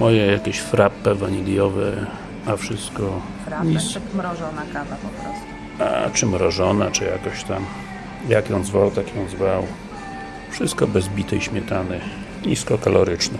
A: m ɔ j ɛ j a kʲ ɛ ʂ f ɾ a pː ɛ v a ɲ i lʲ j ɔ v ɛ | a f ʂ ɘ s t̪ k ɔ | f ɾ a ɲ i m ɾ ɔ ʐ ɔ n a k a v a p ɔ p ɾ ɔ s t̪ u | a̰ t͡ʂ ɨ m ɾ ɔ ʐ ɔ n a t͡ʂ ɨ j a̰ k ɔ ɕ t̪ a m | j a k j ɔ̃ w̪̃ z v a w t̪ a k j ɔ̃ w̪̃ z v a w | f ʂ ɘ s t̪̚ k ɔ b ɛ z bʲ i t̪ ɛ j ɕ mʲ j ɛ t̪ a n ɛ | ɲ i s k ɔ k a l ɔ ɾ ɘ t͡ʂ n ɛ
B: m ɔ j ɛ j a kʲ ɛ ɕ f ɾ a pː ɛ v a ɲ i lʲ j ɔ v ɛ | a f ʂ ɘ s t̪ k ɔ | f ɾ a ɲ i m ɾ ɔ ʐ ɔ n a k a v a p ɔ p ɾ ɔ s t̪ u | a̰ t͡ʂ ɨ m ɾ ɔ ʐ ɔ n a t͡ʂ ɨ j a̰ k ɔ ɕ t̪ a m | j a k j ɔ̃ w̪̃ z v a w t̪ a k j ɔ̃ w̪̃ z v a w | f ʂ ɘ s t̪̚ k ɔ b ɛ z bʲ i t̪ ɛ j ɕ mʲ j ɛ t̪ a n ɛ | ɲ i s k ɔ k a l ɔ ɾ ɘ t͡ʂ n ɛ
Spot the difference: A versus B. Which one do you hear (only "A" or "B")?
B